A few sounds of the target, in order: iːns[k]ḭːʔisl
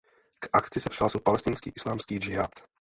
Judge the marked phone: correct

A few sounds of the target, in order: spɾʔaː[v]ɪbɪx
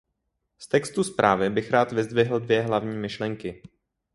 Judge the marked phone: correct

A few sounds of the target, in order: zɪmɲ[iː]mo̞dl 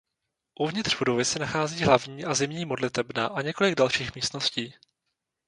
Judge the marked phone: correct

